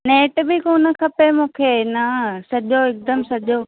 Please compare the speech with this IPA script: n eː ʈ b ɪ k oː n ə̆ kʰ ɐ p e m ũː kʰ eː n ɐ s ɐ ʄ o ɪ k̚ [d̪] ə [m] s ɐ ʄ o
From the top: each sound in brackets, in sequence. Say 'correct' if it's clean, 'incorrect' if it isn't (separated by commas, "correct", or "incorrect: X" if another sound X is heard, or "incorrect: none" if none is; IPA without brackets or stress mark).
correct, correct